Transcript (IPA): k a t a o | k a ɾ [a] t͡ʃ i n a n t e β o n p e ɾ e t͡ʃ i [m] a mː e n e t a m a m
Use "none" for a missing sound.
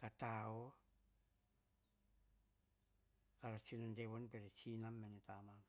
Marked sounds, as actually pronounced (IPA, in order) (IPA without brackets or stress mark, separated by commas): a, n